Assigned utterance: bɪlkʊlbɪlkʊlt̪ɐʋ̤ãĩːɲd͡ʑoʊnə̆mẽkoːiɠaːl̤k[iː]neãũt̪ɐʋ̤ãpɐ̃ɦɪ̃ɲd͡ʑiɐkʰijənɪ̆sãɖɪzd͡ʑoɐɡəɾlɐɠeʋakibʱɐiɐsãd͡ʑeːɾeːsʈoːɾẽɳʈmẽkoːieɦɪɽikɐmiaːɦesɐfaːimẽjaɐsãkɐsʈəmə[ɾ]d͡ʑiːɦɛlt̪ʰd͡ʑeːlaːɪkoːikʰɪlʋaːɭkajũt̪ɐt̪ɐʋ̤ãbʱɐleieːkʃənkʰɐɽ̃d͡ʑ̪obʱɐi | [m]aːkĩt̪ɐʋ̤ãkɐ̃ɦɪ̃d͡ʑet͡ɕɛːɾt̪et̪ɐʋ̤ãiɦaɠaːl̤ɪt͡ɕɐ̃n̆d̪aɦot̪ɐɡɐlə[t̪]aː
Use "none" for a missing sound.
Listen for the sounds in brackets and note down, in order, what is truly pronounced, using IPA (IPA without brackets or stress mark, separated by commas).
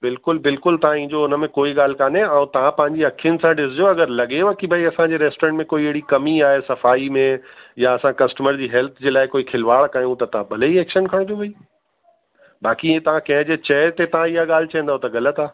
aː, ɾ, b, t̪